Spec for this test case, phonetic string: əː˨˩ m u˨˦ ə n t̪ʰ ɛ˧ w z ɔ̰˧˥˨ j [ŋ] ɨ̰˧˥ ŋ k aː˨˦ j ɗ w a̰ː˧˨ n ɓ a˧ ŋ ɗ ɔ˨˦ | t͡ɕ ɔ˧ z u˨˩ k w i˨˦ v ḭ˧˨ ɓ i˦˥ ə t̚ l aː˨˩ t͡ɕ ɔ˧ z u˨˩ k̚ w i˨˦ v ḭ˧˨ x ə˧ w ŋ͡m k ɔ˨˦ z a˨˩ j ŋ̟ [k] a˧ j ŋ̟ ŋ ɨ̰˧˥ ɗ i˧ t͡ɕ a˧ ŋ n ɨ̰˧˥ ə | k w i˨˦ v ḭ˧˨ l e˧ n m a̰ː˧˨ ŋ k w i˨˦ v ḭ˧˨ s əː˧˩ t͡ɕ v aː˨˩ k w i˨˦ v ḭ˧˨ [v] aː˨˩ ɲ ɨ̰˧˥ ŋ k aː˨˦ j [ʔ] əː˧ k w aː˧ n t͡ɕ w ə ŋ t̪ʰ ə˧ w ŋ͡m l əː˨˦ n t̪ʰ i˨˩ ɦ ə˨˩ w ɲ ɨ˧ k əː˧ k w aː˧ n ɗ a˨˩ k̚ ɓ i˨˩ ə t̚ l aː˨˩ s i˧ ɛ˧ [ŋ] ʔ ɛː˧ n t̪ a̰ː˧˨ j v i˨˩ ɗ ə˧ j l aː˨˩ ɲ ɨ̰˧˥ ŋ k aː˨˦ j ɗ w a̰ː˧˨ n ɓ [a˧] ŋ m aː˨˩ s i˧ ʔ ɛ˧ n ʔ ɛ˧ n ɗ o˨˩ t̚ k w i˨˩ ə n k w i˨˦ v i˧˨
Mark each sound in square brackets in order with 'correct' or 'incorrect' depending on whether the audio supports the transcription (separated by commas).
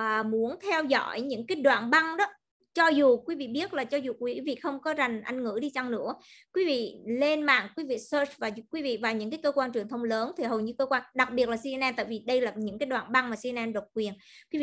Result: incorrect, incorrect, correct, incorrect, incorrect, correct